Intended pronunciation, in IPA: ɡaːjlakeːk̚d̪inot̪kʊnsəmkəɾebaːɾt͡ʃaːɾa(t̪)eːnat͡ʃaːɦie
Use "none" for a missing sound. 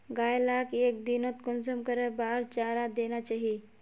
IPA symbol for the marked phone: d̪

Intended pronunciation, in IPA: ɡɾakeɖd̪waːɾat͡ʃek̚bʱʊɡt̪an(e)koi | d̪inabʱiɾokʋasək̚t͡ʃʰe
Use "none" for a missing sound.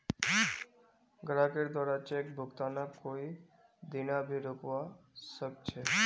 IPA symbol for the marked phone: a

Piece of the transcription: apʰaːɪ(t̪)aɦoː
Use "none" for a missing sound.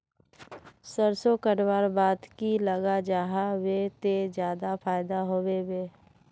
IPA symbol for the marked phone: d̪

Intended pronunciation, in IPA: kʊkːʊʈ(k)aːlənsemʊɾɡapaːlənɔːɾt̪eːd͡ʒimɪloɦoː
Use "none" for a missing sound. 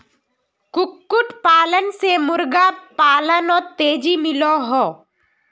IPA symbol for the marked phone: p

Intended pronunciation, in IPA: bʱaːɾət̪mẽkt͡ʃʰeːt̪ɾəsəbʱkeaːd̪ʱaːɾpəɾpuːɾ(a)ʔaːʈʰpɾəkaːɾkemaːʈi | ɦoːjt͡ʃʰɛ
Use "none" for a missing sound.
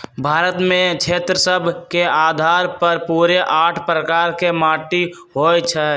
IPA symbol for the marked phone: e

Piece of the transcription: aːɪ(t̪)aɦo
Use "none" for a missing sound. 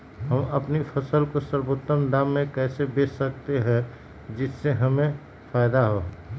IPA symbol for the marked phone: d̪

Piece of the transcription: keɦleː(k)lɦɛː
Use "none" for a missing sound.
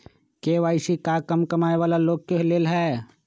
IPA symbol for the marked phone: none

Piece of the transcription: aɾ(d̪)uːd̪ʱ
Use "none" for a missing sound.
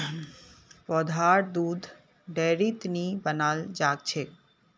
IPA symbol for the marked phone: d̪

